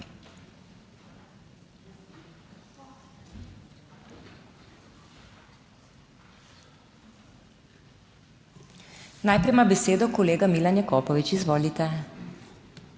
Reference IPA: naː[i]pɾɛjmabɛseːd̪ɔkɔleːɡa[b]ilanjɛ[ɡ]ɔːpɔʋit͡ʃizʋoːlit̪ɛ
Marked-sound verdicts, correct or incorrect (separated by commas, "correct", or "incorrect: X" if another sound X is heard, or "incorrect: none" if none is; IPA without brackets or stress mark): incorrect: j, incorrect: m, incorrect: k